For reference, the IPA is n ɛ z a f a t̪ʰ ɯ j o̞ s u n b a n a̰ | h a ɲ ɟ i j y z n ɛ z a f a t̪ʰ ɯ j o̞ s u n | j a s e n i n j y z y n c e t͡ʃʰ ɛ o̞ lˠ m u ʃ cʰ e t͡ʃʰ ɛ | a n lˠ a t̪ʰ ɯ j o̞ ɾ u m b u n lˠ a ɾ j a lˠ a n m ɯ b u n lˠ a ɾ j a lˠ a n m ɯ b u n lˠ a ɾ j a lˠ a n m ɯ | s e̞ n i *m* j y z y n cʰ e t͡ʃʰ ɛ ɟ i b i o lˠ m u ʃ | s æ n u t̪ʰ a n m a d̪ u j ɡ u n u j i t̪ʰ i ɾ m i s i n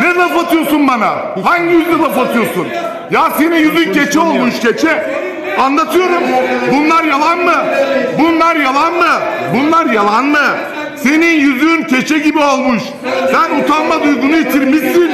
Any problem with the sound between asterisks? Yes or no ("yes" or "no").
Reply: yes